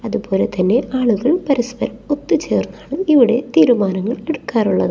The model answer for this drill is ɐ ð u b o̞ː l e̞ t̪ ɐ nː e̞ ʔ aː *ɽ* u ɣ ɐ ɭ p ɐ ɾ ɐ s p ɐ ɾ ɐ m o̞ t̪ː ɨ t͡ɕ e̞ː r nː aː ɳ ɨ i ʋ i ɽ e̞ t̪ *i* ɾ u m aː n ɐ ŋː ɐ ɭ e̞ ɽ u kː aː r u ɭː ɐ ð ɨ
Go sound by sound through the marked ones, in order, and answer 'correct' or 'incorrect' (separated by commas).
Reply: incorrect, incorrect